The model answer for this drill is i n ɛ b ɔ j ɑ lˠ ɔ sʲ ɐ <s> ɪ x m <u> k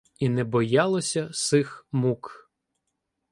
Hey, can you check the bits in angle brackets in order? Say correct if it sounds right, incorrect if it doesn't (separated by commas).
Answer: correct, correct